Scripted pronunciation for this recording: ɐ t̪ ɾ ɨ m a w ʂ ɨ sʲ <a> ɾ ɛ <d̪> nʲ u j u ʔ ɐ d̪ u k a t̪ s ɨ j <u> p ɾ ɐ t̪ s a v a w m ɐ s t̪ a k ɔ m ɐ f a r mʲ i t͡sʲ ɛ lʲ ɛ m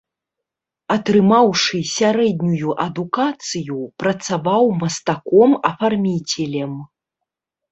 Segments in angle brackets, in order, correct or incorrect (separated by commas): correct, correct, correct